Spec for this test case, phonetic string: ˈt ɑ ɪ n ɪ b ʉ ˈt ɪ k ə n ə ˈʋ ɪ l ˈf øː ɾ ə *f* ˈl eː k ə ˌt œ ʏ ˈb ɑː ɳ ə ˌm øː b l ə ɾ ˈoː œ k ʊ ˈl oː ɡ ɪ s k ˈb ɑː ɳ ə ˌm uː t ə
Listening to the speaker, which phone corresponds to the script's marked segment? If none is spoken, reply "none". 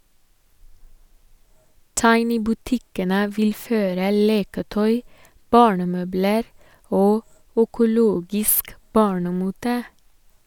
none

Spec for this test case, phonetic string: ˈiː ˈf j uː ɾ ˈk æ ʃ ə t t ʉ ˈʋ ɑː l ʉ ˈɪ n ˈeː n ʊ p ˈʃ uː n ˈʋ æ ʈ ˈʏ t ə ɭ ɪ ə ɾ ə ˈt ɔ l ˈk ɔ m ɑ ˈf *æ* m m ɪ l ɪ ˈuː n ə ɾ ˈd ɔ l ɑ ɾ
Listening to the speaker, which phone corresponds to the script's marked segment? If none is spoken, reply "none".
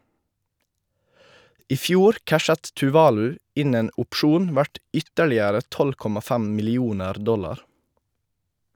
æ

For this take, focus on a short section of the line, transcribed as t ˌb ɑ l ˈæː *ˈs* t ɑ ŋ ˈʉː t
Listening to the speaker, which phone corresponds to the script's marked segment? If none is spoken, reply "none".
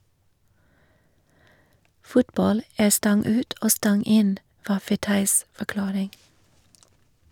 s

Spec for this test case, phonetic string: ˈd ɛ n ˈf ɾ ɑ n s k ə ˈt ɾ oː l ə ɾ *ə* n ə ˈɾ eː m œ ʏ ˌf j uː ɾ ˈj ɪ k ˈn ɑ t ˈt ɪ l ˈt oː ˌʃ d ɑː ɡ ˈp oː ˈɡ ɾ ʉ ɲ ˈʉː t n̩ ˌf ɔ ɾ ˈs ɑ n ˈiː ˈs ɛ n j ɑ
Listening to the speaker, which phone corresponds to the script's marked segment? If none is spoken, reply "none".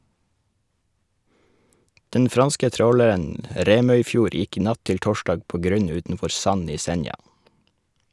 ə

